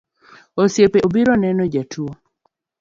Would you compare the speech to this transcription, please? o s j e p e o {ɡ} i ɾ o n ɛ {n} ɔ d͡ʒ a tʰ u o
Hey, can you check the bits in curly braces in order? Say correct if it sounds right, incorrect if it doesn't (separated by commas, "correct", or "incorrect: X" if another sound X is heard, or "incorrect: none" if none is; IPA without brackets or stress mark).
incorrect: b, correct